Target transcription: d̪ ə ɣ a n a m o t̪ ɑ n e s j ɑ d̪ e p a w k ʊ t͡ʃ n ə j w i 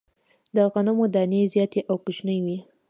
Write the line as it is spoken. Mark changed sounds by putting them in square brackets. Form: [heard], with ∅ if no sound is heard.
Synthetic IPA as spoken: d̪ ə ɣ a n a m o [d̪] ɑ n e [z] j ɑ [t̪] e [ʔ] a w k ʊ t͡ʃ n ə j w i